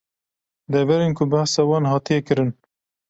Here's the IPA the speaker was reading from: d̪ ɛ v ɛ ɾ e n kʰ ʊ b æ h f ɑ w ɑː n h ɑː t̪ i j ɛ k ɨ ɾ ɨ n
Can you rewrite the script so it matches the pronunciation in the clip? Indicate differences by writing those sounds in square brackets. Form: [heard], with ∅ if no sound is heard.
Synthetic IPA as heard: d̪ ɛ v ɛ ɾ e n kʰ ʊ b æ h [s] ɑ w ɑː n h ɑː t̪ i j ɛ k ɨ ɾ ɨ n